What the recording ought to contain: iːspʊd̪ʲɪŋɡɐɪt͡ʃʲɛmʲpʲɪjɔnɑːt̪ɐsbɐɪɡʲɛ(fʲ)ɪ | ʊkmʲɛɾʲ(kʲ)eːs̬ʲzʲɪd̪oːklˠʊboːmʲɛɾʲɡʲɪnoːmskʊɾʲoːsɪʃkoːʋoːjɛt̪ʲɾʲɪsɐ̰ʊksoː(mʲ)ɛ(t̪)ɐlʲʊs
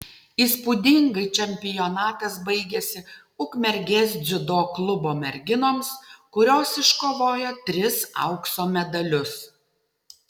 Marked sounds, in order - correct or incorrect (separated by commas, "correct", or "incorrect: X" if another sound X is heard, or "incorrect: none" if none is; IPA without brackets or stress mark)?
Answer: incorrect: sʲ, incorrect: ɡʲ, correct, incorrect: d̪